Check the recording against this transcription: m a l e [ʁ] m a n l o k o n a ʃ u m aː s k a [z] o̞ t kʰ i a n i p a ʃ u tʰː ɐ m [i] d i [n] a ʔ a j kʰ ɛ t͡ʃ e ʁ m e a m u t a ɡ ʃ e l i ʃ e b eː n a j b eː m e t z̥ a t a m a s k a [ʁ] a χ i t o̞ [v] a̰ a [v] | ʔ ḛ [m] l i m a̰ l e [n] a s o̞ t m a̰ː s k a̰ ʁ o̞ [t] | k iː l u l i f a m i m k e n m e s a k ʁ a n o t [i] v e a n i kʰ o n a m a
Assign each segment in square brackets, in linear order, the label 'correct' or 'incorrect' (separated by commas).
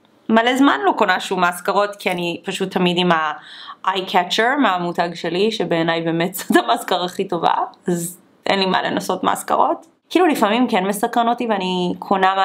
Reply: incorrect, incorrect, correct, incorrect, correct, correct, incorrect, incorrect, correct, correct, correct